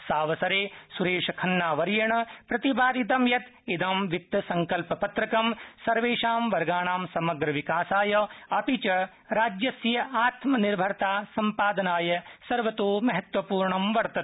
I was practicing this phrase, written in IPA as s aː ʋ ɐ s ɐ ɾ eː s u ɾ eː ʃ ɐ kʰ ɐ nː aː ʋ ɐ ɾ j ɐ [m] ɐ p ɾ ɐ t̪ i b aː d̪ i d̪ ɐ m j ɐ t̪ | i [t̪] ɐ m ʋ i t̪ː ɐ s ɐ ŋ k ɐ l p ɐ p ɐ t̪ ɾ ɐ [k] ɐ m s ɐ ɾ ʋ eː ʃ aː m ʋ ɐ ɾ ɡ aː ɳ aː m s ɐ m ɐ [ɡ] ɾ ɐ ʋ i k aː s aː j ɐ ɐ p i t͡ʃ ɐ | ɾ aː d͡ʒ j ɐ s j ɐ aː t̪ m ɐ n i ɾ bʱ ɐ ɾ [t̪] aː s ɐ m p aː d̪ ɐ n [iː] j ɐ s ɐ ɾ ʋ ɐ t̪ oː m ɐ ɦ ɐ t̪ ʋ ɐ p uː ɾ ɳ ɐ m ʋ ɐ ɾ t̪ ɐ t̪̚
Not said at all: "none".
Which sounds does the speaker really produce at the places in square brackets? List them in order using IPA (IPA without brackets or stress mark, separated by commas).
ɳ, d̪, k, ɡ, t̪, aː